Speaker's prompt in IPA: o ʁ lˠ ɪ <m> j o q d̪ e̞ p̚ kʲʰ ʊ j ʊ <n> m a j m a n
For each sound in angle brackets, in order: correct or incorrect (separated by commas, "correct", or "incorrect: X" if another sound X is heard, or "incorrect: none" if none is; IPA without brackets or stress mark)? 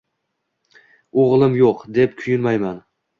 correct, correct